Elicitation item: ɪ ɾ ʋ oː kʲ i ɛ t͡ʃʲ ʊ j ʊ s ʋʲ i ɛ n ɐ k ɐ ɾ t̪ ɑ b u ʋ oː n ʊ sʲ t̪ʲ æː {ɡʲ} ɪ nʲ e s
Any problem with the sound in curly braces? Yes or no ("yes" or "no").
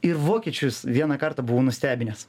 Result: yes